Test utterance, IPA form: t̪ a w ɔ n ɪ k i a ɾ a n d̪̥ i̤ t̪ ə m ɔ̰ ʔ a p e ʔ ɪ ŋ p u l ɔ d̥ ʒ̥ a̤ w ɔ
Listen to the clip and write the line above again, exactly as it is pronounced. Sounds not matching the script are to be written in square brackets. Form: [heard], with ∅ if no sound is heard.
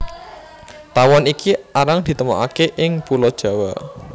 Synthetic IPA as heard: t̪ a w ɔ n [i] k i a ɾ a [ŋ] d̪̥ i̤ t̪ ə m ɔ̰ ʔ a [k] e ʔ ɪ ŋ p u l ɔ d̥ ʒ̥ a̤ w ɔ